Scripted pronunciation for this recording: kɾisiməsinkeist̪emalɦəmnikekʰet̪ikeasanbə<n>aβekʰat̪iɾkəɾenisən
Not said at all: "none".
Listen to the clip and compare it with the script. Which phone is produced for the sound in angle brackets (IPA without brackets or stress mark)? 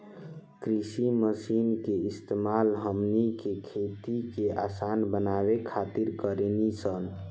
n